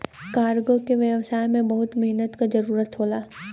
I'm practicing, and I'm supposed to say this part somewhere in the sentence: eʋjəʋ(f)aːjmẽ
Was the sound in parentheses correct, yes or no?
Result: no